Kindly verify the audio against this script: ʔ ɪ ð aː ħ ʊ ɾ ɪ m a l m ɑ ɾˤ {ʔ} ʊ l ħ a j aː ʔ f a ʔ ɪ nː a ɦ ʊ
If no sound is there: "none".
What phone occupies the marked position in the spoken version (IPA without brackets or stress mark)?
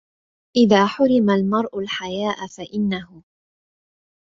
ʔ